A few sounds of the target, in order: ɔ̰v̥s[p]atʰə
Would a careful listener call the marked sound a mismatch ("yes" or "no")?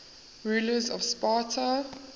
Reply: no